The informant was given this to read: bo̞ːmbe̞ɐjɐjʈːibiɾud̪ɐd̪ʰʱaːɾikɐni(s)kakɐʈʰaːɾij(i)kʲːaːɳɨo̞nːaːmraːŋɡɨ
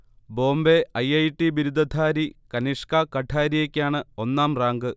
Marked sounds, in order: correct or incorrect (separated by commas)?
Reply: incorrect, incorrect